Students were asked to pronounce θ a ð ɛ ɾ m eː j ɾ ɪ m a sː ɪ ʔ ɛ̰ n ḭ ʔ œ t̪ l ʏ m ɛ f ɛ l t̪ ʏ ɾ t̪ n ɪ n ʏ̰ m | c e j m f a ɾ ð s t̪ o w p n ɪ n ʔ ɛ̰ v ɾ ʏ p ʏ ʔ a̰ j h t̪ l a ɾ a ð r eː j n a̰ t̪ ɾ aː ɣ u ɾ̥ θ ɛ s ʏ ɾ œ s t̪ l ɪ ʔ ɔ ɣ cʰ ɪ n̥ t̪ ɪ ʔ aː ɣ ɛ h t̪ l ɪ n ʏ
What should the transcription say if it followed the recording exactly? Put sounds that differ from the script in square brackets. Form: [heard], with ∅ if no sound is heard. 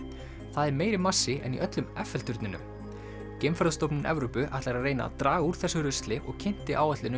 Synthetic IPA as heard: θ a ð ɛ ɾ m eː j ɾ ɪ m a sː ɪ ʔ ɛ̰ n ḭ ʔ œ t̪ l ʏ m ɛ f ɛ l t̪ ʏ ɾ t̪ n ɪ n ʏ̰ m | c e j m f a ɾ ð s t̪ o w p n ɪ n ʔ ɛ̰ v ɾ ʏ p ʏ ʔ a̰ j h t̪ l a ɾ a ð r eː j n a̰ t̪ ɾ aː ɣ u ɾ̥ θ ɛ s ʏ ɾ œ s t̪ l ɪ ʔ ɔ ɣ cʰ ɪ n̥ t̪ ɪ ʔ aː [w] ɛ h t̪ l ɪ n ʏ

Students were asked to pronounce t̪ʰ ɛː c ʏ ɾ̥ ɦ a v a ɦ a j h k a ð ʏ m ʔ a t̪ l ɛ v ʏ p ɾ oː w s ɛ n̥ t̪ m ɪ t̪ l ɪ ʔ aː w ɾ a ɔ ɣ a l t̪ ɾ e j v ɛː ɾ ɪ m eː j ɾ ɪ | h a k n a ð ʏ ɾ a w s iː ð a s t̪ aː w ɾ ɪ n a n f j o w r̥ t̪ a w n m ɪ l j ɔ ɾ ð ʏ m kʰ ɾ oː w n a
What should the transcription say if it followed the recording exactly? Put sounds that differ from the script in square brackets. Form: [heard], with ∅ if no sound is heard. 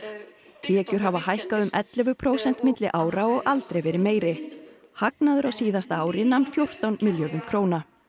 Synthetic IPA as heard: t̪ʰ ɛː c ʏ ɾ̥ ɦ a v a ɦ a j h k a ð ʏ m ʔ [ɛ] t̪ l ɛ v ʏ [pʰ] ɾ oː w s ɛ n̥ t̪ m ɪ t̪ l ɪ ʔ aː w ɾ a ɔ ɣ a l t̪ ɾ e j v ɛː ɾ ɪ m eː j ɾ ɪ | h a k n a ð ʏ ɾ a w s iː ð a s t̪ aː w ɾ ɪ n a n f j o w r̥ t̪ a w n m ɪ l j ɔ ɾ ð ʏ m kʰ ɾ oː w n a

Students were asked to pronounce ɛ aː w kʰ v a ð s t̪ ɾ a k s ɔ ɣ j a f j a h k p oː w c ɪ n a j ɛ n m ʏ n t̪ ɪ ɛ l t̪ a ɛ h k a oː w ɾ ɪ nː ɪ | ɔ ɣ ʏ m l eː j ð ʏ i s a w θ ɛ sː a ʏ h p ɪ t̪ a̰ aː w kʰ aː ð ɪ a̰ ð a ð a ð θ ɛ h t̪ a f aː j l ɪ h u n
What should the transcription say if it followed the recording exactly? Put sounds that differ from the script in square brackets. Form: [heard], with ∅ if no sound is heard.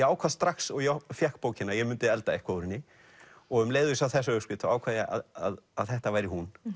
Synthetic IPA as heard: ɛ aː w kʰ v a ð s t̪ ɾ a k s ɔ ɣ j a f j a h k p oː w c ɪ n a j ɛ [∅] m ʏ n t̪ ɪ ɛ l t̪ a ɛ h k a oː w ɾ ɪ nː ɪ | ɔ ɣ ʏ m l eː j ð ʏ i s a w θ ɛ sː a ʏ [s] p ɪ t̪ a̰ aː w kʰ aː ð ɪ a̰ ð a ð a ð θ ɛ h t̪ a [v] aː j [ɾ] ɪ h u n

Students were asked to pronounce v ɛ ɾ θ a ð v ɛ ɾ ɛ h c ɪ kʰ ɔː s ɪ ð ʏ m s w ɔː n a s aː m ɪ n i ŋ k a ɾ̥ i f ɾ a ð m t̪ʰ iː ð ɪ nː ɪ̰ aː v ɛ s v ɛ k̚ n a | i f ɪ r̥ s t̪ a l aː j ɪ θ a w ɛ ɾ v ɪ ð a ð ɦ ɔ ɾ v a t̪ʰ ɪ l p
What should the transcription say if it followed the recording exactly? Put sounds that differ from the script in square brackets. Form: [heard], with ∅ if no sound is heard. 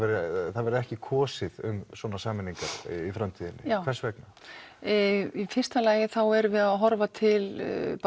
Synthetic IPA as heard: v ɛ ɾ θ a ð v ɛ ɾ ɛ h c ɪ kʰ ɔː s ɪ ð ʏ m s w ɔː n a s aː m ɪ n i ŋ k a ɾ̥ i f ɾ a [∅] m t̪ʰ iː ð ɪ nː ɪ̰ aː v ɛ s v ɛ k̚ n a | i f ɪ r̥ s t̪ a l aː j ɪ θ a w ɛ ɾ v ɪ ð a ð ɦ ɔ ɾ v a t̪ʰ ɪ l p

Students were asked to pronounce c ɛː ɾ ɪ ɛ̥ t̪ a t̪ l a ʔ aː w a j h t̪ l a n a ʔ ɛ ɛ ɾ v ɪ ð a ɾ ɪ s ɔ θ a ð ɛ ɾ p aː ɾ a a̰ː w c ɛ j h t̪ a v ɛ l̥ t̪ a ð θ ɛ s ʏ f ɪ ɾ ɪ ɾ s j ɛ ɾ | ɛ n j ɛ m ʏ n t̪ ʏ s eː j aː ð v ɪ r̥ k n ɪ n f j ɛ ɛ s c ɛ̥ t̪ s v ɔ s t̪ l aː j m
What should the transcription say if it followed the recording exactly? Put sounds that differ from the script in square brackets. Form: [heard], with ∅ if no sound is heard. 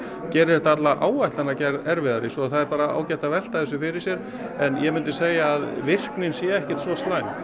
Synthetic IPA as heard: c ɛː ɾ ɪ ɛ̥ t̪ a t̪ l a ʔ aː w a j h t̪ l a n a [c] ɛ ɛ ɾ v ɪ ð a ɾ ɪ s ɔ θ a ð ɛ ɾ p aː ɾ a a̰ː w c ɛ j h t̪ a v ɛ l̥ t̪ a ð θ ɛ s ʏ f ɪ ɾ ɪ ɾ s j ɛ ɾ | ɛ n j ɛ m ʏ n t̪ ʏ s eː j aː ð v ɪ r̥ k n ɪ n [s] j ɛ ɛ [h] c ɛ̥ t̪ s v ɔ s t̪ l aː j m

